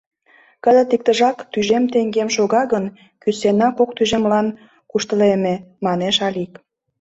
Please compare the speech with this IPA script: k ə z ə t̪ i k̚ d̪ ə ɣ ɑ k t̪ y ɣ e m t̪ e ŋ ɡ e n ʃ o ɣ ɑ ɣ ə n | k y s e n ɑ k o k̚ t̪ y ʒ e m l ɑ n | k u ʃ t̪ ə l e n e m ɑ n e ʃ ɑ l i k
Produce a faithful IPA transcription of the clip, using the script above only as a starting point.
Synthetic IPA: k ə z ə t̪ i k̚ t̪ ə ʒ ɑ k t̪ y ʒ e m t̪ e ŋ ɡ e m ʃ o ɣ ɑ ɣ ə n | k y s e n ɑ k o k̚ t̪ y ʒ e m l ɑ n | k u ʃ t̪ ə l e m e m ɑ n e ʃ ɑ l i k